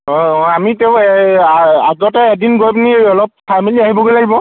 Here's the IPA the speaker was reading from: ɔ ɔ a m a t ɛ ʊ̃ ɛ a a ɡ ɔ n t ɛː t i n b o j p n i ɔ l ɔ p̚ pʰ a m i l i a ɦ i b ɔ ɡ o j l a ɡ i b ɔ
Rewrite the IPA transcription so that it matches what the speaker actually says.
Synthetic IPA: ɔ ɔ a m i t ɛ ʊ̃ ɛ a a ɡ ɔ t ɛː d i n ɡ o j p n i ɔ l ɔ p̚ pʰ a m i l i a ɦ i b ɔ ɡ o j l a ɡ i b ɔ